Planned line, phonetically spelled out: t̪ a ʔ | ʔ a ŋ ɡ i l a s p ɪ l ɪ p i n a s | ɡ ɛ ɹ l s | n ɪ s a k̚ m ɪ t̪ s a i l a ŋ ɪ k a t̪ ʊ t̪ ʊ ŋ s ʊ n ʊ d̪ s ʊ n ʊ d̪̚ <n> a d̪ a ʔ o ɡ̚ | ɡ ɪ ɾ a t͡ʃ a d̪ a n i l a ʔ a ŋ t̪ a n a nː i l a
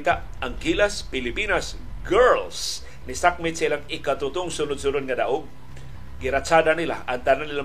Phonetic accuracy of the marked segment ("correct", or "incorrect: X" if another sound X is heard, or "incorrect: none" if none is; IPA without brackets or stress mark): incorrect: ŋ